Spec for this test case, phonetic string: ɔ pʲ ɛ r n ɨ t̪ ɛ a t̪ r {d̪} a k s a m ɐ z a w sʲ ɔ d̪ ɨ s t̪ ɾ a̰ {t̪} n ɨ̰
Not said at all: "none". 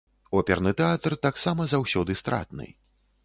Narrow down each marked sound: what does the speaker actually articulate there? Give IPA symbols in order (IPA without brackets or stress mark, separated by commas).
t̪, t̪